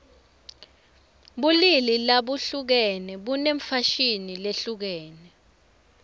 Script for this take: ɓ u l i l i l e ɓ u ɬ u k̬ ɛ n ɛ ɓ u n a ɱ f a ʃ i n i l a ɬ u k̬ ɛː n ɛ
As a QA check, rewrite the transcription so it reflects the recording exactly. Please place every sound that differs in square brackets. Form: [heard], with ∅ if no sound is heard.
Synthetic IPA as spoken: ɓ u l i l i l [a] ɓ u ɬ u k̬ ɛ n ɛ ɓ u n [e] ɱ f a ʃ i n i l [e] ɬ u k̬ ɛː n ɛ